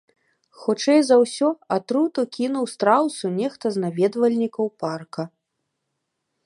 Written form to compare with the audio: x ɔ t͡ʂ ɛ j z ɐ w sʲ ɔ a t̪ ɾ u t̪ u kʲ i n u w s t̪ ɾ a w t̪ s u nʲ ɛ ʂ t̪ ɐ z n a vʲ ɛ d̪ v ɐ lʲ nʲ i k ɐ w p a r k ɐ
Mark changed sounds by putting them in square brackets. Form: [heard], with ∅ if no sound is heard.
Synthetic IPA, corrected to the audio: x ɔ t͡ʂ ɛ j z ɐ w sʲ ɔ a t̪ ɾ u t̪ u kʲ i n u w s t̪ ɾ a w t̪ s u nʲ ɛ [x] t̪ ɐ z n a vʲ ɛ d̪ v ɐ lʲ nʲ i k ɐ w p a r k ɐ